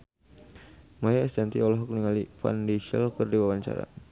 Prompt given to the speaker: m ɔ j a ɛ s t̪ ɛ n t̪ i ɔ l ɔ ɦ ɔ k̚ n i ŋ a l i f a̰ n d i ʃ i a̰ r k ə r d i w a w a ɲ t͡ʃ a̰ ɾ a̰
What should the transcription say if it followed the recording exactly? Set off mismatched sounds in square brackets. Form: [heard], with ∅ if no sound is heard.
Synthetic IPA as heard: m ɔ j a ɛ s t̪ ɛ n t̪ i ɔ l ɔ ɦ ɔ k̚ n i ŋ a l i f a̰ n d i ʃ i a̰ [l] k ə r d i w a w a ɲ t͡ʃ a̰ ɾ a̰